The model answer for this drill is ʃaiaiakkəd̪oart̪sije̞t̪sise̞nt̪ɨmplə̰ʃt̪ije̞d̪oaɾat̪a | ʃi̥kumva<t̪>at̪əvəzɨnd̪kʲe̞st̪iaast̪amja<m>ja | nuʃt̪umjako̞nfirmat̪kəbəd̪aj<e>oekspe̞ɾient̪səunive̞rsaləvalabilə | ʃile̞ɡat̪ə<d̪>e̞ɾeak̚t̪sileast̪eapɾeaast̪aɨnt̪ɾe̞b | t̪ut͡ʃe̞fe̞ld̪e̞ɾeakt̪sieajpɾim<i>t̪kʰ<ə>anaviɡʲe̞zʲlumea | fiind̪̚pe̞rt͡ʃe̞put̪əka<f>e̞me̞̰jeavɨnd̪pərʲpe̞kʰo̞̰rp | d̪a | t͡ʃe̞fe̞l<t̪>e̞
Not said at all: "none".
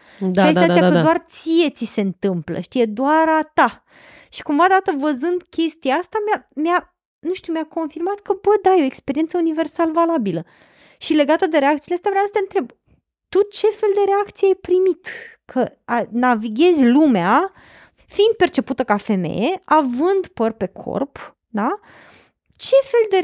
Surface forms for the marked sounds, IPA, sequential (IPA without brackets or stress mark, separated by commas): d̪, m, e, d̪, i, ə, f, d̪